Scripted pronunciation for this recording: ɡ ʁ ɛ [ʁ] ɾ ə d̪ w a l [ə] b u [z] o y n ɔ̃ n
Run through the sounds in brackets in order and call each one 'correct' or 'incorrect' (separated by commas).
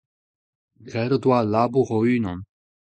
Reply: incorrect, incorrect, incorrect